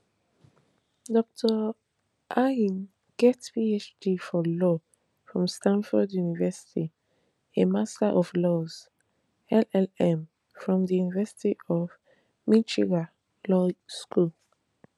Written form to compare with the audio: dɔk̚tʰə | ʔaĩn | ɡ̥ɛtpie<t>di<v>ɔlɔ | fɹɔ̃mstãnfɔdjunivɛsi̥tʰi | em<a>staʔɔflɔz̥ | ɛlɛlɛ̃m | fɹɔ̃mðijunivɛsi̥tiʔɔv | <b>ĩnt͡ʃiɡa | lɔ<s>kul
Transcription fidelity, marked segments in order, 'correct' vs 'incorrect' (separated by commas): incorrect, incorrect, correct, incorrect, correct